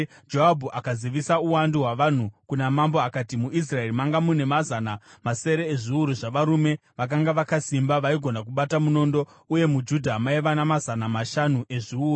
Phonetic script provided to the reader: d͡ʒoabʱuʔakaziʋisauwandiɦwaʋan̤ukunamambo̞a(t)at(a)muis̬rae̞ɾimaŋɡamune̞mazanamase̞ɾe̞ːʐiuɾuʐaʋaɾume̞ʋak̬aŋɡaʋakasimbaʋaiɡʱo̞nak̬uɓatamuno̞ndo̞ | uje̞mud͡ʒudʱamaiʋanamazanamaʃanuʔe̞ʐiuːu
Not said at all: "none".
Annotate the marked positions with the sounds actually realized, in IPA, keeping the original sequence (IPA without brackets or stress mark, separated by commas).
k, i